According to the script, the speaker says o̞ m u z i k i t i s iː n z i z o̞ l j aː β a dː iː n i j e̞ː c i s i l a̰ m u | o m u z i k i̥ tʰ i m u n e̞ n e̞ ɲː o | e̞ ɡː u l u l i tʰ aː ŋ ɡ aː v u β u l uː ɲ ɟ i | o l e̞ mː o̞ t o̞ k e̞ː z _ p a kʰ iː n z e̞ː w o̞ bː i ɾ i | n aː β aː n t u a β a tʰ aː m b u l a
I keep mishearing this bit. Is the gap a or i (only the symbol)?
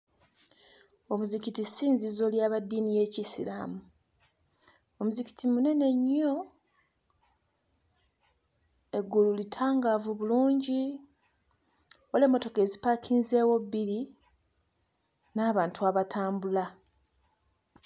i